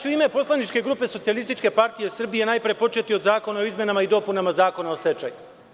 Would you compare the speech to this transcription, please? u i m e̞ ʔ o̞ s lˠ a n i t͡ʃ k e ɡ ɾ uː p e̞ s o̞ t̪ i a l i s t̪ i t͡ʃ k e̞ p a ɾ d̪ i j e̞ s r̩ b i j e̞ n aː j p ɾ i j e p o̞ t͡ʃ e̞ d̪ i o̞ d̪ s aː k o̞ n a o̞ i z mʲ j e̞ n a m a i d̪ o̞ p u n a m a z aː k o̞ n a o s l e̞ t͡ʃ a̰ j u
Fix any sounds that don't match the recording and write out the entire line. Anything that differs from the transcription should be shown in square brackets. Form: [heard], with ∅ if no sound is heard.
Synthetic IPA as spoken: u i m e̞ [p] o̞ s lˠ a n i t͡ʃ k e ɡ ɾ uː p e̞ s o̞ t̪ i a l i s t̪ i t͡ʃ k e̞ p a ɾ [t̪] i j e̞ s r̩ b i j e̞ n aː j p ɾ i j e p o̞ t͡ʃ e̞ [t̪] i o̞ d̪ [z] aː k o̞ n a o̞ i z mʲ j e̞ n a m a i d̪ o̞ p u n a m a z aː k o̞ n a o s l e̞ t͡ʃ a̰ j u